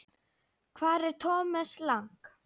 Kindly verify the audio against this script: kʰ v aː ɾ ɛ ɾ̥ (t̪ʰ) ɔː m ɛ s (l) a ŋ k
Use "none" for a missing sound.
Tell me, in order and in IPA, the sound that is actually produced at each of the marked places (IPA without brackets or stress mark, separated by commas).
t̪ʰ, l